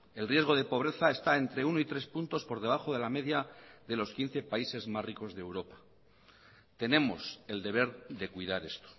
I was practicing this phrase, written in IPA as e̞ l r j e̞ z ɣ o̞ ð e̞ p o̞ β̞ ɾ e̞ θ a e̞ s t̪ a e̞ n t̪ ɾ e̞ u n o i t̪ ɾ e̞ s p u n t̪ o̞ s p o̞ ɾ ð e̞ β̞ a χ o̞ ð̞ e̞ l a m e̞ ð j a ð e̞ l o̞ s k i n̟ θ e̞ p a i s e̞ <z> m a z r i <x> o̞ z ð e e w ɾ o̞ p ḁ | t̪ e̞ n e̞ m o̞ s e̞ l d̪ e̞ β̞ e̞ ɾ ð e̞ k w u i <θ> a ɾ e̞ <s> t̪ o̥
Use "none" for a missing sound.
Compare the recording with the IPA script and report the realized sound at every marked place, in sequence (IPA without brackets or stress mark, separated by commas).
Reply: z, k, ð, s